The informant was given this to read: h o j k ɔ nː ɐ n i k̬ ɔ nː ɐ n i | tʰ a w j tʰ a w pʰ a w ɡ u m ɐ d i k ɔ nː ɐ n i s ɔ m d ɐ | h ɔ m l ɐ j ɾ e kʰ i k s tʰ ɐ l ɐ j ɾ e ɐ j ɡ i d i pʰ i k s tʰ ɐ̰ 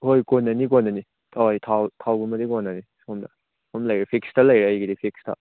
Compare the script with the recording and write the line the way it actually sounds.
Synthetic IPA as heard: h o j k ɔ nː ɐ n i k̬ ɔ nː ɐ n i | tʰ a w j tʰ a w tʰ a w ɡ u m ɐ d i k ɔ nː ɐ n i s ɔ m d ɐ | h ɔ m l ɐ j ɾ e pʰ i k s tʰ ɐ l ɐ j ɾ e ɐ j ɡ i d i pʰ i k s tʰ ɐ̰